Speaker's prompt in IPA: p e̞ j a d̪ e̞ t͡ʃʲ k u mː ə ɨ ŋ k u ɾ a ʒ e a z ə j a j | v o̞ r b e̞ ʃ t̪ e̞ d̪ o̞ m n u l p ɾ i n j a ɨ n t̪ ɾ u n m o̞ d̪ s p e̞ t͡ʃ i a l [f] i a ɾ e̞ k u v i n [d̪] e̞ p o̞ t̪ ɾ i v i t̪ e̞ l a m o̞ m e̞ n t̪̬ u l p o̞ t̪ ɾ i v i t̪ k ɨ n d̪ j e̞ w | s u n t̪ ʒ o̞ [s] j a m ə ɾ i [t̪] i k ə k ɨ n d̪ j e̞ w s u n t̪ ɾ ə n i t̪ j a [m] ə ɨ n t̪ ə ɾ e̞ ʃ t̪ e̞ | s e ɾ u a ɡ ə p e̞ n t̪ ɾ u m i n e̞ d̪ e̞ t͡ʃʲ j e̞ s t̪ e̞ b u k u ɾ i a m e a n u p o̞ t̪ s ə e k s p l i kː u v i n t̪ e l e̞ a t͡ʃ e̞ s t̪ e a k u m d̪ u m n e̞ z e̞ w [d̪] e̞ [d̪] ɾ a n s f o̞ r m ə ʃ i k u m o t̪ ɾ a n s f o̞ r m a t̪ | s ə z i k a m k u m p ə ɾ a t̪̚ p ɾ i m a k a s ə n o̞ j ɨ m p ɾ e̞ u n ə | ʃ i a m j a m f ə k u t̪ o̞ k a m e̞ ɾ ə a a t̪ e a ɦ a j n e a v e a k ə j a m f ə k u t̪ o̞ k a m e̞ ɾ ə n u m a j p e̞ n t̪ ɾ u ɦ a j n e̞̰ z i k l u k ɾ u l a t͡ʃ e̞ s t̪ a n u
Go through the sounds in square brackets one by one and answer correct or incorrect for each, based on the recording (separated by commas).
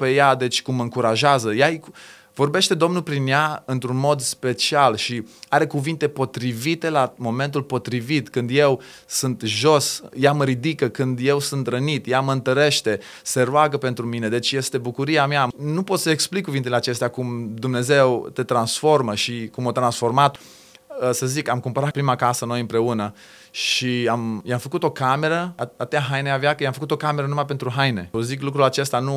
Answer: incorrect, incorrect, correct, incorrect, correct, incorrect, incorrect